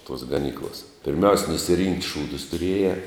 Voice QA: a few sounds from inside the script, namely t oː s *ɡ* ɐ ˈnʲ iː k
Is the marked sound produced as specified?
yes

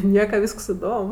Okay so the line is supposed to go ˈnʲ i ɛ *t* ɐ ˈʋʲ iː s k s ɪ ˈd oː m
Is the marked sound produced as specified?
no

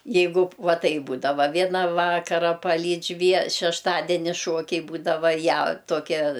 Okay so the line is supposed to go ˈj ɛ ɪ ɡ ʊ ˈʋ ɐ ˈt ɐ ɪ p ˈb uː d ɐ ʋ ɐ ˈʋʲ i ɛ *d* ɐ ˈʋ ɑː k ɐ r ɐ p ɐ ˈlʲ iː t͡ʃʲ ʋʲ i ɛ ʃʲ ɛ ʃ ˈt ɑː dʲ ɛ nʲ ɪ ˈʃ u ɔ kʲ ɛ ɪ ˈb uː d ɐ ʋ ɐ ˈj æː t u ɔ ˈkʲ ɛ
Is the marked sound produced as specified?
no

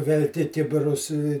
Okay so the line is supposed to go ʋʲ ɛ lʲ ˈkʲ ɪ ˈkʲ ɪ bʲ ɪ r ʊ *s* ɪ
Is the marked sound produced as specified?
yes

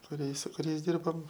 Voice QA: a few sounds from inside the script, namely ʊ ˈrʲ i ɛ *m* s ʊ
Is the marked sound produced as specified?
no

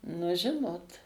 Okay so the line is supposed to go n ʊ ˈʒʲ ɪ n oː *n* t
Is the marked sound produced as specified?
no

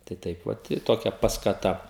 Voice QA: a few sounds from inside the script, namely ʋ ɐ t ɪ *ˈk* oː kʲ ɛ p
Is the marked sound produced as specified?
no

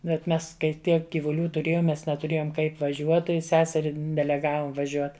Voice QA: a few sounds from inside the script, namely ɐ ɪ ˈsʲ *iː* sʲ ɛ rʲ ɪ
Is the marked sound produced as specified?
no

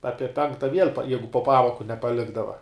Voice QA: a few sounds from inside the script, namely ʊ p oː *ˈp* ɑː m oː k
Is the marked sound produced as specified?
yes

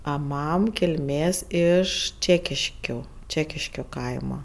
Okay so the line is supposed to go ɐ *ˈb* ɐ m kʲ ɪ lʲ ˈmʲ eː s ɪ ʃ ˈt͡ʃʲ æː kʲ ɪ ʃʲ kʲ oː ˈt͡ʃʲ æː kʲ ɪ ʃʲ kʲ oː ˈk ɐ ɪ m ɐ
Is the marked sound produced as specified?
no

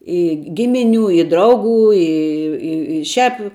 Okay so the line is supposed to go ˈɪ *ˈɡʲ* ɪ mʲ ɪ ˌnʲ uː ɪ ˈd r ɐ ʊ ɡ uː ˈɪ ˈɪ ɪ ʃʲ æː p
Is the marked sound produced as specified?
yes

